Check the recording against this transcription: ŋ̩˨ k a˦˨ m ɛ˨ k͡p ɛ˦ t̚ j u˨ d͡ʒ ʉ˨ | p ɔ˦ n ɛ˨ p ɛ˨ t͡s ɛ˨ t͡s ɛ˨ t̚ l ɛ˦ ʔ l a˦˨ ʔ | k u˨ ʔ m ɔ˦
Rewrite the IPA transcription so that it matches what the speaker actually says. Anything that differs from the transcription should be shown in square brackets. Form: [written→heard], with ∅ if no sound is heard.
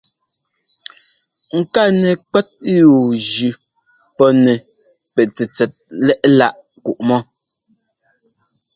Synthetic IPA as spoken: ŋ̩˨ k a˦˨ [m→n] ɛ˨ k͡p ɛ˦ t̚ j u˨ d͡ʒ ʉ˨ | p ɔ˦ n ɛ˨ p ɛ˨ t͡s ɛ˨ t͡s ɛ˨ t̚ l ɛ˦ ʔ l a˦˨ ʔ | k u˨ ʔ m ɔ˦